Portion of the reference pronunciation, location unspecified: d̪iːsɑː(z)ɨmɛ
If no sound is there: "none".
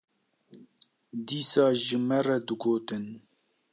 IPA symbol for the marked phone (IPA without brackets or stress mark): ʒ